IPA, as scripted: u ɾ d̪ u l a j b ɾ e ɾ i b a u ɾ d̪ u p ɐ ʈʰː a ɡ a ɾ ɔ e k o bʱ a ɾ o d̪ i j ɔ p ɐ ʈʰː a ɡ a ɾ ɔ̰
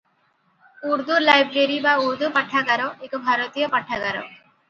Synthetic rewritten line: u ɾ d̪ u l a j b ɾ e ɾ i b a u ɾ d̪ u p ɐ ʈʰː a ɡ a ɾ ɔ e k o bʱ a ɾ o t̪ i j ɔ p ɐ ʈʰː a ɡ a ɾ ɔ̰